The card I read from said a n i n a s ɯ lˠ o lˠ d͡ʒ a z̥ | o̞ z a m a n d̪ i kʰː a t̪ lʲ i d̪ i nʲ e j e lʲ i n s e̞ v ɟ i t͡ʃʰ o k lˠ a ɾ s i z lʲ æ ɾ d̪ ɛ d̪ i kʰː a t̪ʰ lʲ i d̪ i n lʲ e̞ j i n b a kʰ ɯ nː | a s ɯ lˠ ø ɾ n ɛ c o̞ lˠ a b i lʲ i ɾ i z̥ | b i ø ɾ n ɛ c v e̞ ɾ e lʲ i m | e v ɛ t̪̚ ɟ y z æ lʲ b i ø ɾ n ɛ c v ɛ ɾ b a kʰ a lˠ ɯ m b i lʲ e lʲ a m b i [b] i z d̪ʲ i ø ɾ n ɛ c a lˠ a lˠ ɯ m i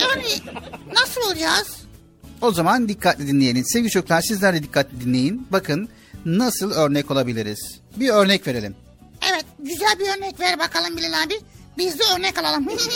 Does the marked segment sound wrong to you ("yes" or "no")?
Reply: no